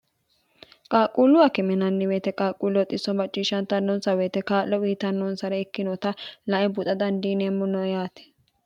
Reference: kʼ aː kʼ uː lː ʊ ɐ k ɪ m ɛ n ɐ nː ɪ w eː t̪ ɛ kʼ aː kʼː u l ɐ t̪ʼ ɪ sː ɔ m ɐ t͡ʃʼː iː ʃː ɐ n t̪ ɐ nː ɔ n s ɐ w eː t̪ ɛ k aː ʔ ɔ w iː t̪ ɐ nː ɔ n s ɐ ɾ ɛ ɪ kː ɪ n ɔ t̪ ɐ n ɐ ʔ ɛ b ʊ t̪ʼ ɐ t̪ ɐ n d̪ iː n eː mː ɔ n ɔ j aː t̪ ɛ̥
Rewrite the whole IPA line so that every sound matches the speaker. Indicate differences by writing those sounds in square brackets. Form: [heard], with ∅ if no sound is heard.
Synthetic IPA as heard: kʼ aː kʼ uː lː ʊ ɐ k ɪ m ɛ n ɐ nː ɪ w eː t̪ ɛ kʼ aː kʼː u l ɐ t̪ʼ ɪ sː ɔ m ɐ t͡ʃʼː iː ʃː ɐ n t̪ ɐ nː ɔ n s ɐ w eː t̪ ɛ k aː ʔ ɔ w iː t̪ ɐ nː ɔ n s ɐ ɾ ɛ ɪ kː ɪ n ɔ t̪ ɐ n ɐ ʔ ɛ b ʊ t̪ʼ ɐ [d̪] ɐ n d̪ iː n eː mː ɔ n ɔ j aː t̪ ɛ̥